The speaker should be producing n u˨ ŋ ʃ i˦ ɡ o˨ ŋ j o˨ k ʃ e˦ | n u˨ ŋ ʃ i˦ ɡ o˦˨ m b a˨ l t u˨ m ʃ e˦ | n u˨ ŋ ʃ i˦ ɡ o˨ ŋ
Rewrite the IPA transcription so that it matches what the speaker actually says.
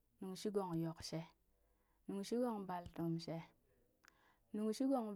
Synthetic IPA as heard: n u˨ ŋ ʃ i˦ ɡ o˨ ŋ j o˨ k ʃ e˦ | n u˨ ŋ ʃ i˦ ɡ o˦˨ ŋ b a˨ l t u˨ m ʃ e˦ | n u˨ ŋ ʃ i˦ ɡ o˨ ŋ